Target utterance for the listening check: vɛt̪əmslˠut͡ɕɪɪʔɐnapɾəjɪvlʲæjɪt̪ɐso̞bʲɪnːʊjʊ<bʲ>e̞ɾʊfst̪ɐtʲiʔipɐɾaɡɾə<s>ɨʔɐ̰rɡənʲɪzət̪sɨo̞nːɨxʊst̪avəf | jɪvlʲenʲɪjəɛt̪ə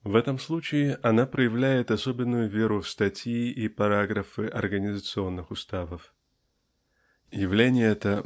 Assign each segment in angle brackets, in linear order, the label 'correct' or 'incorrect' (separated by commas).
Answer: incorrect, incorrect